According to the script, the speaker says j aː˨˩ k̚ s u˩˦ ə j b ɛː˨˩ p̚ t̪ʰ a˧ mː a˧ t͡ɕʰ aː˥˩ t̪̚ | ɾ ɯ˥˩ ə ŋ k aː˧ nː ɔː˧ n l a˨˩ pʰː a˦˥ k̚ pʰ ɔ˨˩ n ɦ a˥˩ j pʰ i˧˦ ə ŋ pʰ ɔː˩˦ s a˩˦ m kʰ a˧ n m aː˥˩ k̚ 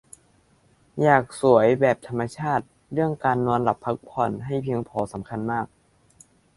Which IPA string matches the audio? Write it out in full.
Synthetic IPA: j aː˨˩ k̚ s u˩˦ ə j b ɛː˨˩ p̚ t̪ʰ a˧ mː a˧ t͡ɕʰ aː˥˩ t̪̚ | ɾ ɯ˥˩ ə ŋ k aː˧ nː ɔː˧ n l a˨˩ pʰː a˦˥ k̚ pʰ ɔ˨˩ n ɦ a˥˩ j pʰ i˧˦ ə ŋ pʰ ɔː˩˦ s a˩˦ m kʰ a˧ n m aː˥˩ k̚

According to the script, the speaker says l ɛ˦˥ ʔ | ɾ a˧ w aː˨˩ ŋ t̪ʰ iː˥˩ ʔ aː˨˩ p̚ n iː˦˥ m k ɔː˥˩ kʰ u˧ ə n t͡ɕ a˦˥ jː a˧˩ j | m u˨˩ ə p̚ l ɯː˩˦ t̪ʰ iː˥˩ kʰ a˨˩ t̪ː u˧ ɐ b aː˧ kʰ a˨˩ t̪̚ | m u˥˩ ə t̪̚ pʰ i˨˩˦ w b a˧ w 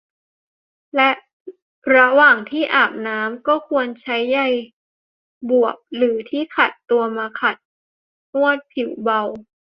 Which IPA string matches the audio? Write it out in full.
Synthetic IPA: l ɛ˦˥ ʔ | ɾ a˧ w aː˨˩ ŋ t̪ʰ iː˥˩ ʔ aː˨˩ p̚ n aː˦˥ m k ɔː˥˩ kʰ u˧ ə n t͡ɕʰ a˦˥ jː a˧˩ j | b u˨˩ ə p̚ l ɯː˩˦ t̪ʰ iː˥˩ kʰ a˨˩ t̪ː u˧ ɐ m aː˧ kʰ a˨˩ t̪̚ | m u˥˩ ə t̪̚ pʰ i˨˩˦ w b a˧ w

